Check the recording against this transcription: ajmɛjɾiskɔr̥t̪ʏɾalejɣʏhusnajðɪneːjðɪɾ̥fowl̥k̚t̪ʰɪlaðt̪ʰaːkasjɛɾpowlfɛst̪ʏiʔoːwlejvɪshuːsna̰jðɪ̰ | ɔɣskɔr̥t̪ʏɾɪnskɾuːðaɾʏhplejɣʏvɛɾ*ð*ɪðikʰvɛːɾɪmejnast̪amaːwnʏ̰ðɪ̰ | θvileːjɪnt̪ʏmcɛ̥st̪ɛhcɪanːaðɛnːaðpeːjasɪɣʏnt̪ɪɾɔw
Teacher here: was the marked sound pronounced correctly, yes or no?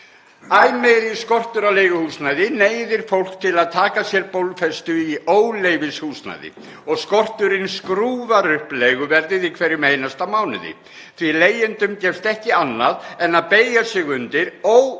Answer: yes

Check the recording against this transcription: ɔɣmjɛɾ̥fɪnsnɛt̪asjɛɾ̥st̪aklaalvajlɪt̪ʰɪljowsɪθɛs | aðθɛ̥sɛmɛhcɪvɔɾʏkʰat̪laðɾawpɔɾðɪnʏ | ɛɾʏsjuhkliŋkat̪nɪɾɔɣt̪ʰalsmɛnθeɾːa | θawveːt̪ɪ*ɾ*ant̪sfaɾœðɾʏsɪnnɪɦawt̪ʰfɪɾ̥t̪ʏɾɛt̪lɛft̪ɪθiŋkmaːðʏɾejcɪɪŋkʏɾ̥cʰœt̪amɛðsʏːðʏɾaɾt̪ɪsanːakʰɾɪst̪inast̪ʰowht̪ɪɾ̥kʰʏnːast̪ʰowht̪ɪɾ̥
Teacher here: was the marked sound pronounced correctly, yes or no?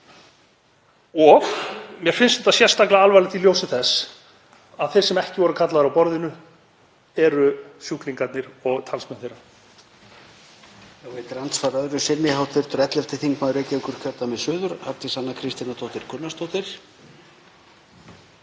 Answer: yes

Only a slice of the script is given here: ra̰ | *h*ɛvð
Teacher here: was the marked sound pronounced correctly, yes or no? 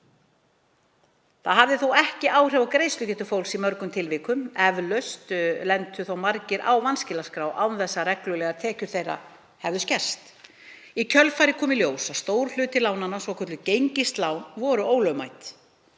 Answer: yes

